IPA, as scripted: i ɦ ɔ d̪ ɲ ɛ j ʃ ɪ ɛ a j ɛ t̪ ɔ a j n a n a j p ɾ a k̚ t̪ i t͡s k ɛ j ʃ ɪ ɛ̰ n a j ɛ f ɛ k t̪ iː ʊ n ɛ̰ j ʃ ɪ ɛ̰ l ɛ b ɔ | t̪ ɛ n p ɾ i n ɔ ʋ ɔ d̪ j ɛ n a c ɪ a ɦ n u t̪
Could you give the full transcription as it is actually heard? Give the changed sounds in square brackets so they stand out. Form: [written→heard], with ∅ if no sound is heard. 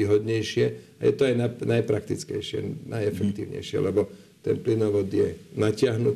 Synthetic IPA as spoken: i ɦ ɔ d̪ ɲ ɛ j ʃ ɪ ɛ a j ɛ t̪ ɔ a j n a n a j p ɾ a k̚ t̪ i t͡s k ɛ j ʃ ɪ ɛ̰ n a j ɛ f ɛ k t̪ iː ʊ [n→ɲ] ɛ̰ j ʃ ɪ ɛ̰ l ɛ b ɔ | t̪ ɛ n p [ɾ→l] i n ɔ ʋ ɔ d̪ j ɛ n a c ɪ a ɦ n u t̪